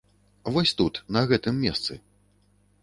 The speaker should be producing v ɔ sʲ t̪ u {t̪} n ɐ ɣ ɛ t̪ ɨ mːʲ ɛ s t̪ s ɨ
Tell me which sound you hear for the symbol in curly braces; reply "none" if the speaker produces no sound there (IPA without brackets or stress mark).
t̪